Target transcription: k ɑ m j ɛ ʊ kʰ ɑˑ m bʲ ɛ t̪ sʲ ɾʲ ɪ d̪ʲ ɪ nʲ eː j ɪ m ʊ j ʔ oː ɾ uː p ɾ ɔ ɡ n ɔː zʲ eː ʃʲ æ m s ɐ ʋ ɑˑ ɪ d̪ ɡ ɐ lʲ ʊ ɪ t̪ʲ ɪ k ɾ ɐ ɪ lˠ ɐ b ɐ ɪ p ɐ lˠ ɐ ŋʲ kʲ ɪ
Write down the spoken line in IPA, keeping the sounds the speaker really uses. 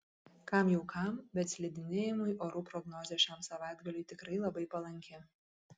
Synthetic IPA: k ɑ m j ɛ ʊ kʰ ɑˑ m bʲ ɛ t̪ sʲ lʲ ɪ d̪ʲ ɪ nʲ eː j ɪ m ʊ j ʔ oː ɾ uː p ɾ ɔ ɡ n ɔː zʲ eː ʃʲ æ m s ɐ ʋ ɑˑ ɪ d̪ ɡ ɐ lʲ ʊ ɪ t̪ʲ ɪ k ɾ ɐ ɪ lˠ ɐ b ɐ ɪ p ɐ lˠ ɐ ŋʲ kʲ ɪ